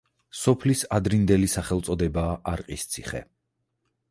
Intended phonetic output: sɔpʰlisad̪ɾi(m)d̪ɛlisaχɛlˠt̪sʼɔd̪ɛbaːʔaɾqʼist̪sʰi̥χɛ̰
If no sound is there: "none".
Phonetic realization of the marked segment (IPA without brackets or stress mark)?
n